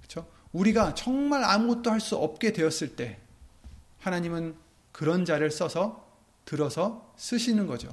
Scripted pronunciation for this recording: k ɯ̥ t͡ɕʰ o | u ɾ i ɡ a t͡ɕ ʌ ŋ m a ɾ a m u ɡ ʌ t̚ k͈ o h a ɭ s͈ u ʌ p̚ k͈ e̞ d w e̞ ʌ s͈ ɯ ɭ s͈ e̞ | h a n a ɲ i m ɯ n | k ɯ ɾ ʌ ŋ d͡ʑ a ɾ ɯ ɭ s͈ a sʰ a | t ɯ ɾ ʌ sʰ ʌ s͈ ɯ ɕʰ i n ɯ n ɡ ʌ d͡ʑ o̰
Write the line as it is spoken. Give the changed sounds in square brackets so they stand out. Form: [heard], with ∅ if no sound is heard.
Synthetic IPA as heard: k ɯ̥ t͡ɕʰ o | u ɾ i ɡ a t͡ɕ ʌ ŋ m a ɾ a m u ɡ ʌ t̚ [t͈] o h a ɭ s͈ u ʌ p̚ k͈ e̞ d w e̞ ʌ s͈ ɯ ɭ [t͈] e̞ | h a n a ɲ i m ɯ n | k ɯ ɾ ʌ [n] d͡ʑ a ɾ ɯ ɭ s͈ [ʌ] sʰ [ʌ] | t ɯ ɾ ʌ sʰ ʌ s͈ ɯ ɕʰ i n ɯ n ɡ ʌ d͡ʑ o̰